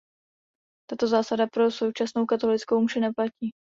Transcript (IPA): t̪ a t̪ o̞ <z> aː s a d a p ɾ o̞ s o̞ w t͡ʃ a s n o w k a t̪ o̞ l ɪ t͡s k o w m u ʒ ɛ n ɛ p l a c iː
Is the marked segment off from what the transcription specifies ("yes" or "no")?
no